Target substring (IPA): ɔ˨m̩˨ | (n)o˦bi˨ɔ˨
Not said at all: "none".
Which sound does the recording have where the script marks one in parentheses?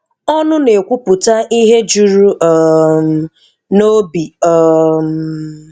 n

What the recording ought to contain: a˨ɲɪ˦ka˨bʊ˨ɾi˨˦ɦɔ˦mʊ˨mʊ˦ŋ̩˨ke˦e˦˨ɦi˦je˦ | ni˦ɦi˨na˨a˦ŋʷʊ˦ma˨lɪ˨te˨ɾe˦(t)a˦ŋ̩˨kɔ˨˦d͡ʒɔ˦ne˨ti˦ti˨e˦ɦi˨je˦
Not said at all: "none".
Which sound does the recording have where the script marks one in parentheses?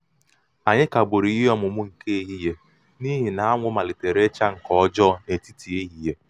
t͡ʃ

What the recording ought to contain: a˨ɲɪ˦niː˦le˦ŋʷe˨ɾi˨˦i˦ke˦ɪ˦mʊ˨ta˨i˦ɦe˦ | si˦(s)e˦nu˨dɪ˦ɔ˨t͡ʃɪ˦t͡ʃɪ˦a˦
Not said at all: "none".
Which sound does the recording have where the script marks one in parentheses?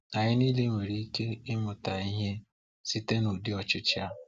t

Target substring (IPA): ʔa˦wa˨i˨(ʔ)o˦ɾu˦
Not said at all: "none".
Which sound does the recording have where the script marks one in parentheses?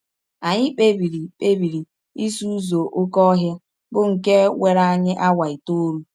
t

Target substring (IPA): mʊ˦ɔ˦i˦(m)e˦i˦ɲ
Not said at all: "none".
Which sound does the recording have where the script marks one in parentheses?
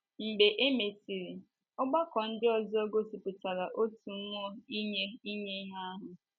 ɲ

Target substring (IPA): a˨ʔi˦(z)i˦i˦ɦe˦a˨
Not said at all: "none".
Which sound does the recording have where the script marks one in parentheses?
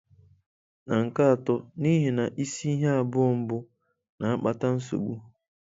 s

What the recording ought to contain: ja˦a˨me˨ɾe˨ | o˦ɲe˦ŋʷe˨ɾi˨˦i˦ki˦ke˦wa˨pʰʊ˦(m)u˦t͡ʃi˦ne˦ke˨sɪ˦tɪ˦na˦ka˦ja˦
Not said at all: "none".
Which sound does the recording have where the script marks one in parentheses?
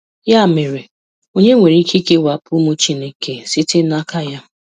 m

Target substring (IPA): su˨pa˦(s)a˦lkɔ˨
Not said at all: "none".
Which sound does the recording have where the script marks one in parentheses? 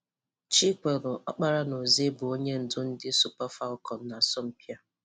f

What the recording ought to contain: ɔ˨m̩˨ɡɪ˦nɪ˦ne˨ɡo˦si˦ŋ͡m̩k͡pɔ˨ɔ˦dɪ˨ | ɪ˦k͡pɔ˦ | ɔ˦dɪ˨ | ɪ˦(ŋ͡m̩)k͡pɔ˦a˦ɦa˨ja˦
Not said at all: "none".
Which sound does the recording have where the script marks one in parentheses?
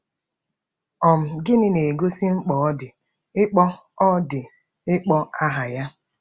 none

